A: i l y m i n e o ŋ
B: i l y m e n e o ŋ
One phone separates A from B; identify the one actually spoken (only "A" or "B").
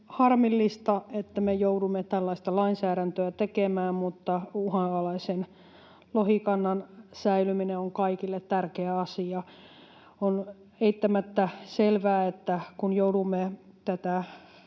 A